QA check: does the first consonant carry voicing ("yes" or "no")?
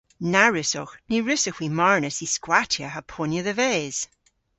yes